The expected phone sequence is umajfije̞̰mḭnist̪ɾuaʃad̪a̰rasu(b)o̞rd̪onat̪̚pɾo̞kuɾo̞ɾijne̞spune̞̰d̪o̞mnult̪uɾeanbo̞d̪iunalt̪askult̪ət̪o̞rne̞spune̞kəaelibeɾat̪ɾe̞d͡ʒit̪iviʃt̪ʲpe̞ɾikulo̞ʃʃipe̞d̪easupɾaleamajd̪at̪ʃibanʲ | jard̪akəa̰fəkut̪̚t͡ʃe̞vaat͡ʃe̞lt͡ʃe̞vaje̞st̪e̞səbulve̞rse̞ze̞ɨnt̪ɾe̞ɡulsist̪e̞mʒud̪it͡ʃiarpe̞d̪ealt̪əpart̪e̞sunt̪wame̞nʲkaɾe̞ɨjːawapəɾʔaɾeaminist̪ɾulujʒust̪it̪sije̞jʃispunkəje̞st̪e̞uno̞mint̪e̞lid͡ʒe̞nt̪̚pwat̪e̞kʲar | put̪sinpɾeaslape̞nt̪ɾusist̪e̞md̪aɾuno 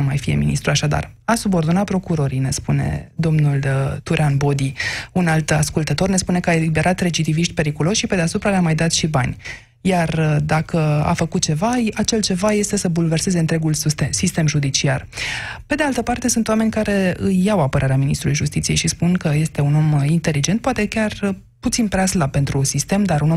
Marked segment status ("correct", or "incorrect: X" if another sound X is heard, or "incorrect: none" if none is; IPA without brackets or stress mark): correct